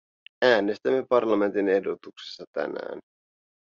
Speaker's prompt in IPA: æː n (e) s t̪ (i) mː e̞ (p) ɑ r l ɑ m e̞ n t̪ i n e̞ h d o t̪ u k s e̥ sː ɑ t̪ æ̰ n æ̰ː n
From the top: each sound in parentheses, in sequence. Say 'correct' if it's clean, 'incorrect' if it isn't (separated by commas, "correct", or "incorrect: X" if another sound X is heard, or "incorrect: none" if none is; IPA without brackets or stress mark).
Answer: correct, incorrect: æ, correct